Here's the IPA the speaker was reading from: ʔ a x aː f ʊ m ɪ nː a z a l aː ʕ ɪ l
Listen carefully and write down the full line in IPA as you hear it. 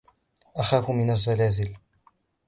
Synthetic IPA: ʔ a x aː f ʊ m ɪ n a zː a l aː z ɪ l